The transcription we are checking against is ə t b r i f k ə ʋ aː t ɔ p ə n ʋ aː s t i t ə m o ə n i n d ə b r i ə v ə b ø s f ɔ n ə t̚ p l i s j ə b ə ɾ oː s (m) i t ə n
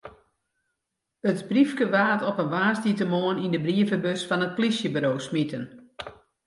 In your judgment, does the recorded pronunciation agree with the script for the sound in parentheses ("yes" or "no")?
yes